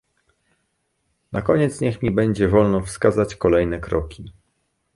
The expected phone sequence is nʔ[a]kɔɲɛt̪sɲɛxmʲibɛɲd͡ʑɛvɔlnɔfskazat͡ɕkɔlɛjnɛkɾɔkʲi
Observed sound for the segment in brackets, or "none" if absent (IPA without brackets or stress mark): a